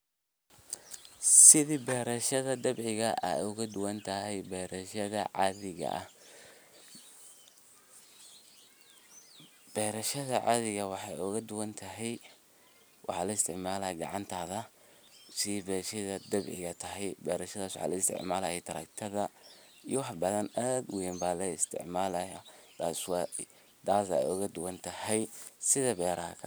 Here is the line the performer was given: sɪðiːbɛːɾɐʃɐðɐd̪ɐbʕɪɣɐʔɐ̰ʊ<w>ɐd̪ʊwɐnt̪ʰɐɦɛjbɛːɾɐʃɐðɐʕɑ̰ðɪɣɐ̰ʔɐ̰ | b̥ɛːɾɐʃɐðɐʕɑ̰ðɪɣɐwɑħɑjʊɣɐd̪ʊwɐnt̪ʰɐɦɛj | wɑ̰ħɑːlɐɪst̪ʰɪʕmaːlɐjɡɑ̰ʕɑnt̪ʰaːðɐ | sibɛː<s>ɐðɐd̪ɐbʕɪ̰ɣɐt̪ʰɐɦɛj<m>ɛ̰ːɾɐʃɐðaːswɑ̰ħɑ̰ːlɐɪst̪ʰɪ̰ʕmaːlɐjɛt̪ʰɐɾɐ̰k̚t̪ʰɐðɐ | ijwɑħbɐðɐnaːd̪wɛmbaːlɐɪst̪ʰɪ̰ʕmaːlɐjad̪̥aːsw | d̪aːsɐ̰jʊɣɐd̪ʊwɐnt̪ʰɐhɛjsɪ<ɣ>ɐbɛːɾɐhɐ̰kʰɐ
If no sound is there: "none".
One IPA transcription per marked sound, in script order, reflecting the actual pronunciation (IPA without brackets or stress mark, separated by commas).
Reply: ɣ, ʃ, b, ð